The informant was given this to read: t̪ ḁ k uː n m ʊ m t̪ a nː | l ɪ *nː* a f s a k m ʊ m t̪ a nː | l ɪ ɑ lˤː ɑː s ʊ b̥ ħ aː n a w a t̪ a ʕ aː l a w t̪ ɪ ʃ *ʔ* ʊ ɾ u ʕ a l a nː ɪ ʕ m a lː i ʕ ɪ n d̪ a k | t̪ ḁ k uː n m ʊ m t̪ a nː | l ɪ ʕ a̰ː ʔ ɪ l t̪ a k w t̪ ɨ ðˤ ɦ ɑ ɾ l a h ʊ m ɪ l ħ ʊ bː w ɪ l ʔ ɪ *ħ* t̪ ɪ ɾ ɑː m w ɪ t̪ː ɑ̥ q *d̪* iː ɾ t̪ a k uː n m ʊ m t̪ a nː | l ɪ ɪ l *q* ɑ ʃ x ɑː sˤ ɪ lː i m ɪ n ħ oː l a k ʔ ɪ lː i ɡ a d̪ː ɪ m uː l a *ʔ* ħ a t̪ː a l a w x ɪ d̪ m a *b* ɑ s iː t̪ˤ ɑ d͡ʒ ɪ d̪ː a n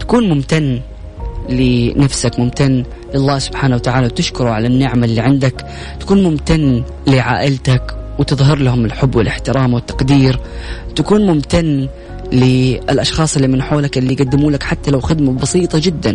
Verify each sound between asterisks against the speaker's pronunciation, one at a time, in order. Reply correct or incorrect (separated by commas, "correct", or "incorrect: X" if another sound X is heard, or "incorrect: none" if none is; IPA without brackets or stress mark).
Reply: incorrect: n, incorrect: k, correct, correct, incorrect: ʔ, incorrect: k, correct